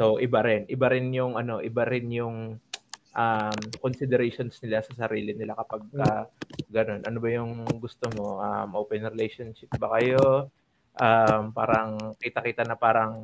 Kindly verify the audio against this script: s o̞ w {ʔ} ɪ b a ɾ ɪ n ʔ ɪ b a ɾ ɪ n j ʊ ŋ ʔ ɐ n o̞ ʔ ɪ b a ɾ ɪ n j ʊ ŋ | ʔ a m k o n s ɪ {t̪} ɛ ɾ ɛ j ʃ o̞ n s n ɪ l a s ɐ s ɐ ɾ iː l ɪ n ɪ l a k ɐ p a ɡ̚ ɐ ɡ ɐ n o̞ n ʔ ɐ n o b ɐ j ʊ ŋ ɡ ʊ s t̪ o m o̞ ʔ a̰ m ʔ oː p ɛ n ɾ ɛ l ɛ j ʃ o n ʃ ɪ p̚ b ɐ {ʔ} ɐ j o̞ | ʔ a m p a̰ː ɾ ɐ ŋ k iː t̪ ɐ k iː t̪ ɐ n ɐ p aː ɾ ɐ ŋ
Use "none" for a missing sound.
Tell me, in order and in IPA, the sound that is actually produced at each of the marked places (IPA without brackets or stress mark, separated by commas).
ʔ, d̪, k